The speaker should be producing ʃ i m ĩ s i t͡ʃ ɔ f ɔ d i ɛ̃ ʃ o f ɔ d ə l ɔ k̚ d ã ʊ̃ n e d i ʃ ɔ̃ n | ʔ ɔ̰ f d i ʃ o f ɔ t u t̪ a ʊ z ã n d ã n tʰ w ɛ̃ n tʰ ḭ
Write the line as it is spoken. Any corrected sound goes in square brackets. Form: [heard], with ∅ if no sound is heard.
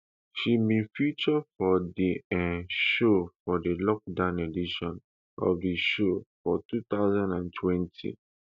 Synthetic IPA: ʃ i m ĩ [f] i t͡ʃ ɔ f ɔ d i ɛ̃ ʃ o f ɔ d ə l ɔ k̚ d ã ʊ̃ n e d i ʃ ɔ̃ n | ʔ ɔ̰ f d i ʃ o f ɔ t u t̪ a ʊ z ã n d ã n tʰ w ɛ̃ n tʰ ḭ